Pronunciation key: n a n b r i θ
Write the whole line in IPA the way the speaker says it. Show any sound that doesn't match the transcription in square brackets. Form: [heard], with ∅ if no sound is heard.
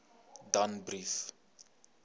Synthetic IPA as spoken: [d] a n b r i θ